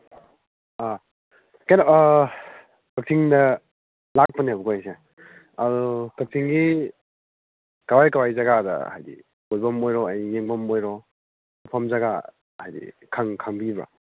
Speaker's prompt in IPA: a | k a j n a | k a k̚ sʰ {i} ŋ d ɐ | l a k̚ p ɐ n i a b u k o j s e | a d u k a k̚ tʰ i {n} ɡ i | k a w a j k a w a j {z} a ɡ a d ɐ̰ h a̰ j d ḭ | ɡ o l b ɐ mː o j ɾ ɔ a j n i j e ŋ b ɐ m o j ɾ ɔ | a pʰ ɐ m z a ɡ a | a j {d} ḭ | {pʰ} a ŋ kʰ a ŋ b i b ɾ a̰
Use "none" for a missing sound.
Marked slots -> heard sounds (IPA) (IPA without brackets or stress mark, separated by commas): i, ŋ, z, d, kʰ